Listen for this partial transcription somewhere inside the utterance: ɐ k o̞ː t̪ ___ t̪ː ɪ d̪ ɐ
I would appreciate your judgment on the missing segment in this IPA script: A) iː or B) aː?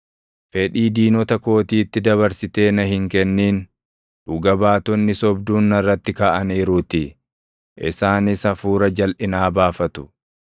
A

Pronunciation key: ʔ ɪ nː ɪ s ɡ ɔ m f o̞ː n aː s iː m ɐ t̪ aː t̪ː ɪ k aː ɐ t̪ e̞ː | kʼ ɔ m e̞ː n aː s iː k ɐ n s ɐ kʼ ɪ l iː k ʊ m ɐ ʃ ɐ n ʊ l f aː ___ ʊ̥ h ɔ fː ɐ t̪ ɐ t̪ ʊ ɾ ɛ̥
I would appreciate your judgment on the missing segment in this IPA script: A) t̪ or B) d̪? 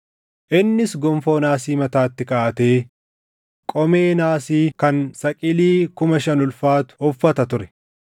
A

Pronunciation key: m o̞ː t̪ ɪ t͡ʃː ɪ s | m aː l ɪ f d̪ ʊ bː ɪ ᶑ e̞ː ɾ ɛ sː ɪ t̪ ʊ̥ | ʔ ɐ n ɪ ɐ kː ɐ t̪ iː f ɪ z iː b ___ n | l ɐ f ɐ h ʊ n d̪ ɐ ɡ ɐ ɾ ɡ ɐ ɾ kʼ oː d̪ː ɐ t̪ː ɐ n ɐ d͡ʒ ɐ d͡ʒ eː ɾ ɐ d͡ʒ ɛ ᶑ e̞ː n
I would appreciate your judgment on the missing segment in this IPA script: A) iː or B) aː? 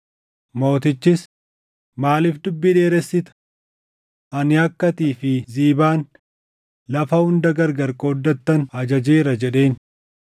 B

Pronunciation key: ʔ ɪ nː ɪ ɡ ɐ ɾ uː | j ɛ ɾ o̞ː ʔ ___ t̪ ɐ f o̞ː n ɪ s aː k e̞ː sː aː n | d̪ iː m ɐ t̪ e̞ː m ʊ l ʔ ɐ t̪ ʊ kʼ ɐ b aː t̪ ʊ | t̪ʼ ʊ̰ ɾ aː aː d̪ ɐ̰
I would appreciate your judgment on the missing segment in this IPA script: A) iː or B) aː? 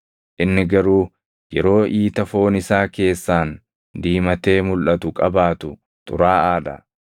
A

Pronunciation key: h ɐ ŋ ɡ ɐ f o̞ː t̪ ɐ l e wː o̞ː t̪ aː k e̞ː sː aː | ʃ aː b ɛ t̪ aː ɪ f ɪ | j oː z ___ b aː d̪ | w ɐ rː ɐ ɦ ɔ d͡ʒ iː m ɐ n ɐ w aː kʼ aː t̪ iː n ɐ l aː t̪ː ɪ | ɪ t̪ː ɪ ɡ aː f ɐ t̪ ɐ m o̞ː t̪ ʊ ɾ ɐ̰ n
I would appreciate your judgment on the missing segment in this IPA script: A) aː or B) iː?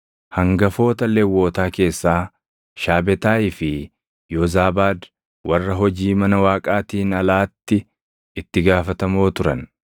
A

